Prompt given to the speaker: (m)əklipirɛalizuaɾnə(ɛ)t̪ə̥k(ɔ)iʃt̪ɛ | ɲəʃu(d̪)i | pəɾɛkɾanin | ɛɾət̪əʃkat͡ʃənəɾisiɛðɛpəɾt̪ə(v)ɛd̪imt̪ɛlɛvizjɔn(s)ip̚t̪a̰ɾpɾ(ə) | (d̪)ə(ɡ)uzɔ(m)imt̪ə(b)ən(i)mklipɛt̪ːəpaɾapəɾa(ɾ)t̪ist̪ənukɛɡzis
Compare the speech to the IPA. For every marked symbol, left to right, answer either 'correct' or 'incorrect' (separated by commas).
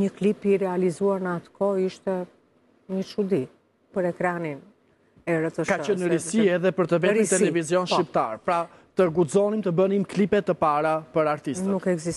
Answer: incorrect, incorrect, correct, correct, correct, incorrect, incorrect, incorrect, correct, incorrect, correct, correct, correct